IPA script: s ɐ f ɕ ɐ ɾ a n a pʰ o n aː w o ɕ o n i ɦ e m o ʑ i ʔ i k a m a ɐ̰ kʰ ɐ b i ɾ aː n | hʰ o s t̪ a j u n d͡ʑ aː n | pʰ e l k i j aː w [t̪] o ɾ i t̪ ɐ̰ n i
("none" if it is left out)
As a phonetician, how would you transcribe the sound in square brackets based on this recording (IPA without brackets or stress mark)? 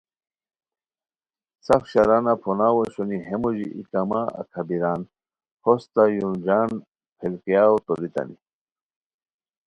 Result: t̪